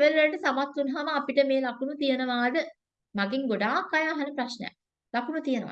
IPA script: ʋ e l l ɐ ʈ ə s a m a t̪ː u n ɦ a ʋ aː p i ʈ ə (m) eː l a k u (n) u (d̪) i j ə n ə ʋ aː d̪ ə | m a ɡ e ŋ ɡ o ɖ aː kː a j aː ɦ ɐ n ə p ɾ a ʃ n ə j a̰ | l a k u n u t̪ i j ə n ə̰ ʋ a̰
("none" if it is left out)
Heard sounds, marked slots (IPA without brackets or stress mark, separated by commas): m, n, t̪